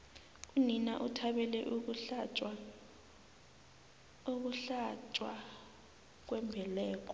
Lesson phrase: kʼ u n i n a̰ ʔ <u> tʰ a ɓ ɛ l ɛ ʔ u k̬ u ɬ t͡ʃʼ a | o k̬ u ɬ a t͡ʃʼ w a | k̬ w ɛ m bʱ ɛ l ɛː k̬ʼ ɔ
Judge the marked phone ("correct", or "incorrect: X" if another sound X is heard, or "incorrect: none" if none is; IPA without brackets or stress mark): correct